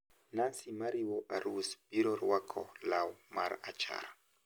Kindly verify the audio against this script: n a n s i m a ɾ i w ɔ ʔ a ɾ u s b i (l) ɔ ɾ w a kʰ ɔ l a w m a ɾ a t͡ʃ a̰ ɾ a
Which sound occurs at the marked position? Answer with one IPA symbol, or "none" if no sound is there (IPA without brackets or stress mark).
ɾ